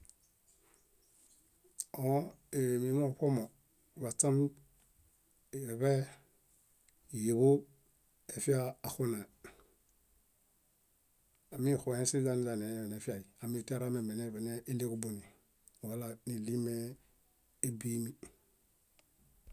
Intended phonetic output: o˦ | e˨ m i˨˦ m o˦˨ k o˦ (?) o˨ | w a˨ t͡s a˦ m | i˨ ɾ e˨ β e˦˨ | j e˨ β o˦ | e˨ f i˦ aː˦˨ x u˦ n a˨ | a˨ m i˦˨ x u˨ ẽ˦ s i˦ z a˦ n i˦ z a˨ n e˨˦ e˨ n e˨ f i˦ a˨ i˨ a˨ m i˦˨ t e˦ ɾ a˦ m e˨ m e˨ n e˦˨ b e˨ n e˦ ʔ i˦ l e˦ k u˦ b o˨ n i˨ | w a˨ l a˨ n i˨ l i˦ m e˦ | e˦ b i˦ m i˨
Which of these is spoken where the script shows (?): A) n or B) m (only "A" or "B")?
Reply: B